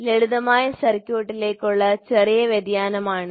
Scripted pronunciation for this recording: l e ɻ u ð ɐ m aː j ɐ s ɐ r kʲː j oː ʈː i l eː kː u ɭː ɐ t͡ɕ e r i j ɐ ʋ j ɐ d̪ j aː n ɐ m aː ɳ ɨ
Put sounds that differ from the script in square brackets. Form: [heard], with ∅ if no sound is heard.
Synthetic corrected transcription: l e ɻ u ð ɐ m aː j ɐ s ɐ r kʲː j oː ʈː i l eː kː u ɭː ɐ t͡ɕ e r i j ɐ ʋ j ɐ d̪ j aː n ɐ m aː ɳ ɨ